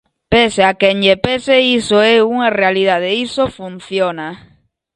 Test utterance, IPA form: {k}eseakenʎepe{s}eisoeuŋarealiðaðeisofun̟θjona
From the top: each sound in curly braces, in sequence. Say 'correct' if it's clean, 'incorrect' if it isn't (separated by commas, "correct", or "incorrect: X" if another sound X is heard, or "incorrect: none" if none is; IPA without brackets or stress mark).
incorrect: p, correct